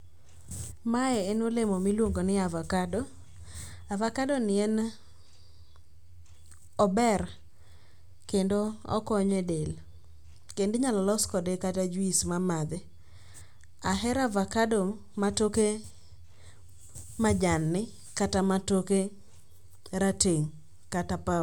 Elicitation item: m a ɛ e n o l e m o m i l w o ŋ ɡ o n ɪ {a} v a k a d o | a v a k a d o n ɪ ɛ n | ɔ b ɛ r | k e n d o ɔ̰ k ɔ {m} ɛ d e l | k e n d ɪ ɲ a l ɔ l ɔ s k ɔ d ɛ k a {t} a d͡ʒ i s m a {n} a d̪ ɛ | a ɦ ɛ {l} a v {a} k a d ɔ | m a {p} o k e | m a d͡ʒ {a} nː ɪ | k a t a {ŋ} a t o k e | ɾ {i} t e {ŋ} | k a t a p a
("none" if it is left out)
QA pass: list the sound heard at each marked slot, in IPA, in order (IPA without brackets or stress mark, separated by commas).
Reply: a, ɲ, t, m, ɾ, a, t, a, m, a, ŋ